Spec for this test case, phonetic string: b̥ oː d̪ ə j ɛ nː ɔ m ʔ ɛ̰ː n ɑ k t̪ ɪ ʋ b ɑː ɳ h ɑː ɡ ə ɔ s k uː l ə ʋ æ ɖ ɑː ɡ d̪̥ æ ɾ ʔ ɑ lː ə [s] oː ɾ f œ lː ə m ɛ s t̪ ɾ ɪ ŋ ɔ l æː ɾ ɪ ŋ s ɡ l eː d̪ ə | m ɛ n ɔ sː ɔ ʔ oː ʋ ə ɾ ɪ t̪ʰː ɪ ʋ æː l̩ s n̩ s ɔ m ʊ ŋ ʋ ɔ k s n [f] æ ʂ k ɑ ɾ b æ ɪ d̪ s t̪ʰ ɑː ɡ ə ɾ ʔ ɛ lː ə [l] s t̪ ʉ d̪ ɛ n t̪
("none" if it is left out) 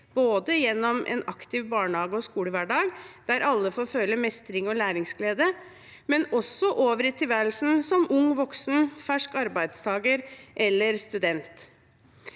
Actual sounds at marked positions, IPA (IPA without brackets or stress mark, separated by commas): f, f, ɾ